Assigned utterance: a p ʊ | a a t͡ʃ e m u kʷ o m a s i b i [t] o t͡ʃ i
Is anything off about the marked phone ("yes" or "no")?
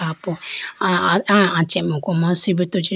no